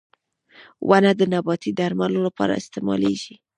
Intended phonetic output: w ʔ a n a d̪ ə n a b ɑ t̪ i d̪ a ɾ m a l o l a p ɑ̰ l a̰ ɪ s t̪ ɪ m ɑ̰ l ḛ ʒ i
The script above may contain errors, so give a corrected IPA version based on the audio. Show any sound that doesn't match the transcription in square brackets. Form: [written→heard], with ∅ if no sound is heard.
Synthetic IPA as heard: w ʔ a n a d̪ ə n a b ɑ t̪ i d̪ a ɾ m a l o l a p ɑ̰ [l→ɾ] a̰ ɪ s t̪ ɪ m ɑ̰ l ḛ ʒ i